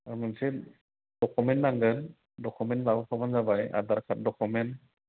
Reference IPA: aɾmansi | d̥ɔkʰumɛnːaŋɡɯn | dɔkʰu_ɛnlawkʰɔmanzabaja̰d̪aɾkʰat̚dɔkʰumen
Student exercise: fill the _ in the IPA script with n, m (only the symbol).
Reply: m